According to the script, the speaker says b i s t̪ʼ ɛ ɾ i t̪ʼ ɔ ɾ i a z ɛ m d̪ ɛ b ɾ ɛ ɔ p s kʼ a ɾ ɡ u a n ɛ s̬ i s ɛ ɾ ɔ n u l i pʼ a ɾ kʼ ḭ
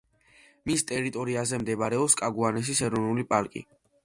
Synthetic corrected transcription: m i s t̪ʼ ɛ ɾ i t̪ʼ ɔ ɾ i a z ɛ m d̪ ɛ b ɾ ɛ ɔ p s kʼ a ɡ u a n ɛ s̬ i s ɛ ɾ ɔ n u l i pʼ a ɾ kʼ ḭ